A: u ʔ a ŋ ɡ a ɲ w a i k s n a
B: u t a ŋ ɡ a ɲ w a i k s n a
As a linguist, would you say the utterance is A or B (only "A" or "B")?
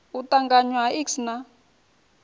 B